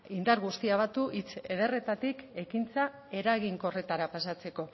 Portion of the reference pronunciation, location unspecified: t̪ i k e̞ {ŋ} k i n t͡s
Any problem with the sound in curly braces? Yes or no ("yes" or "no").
yes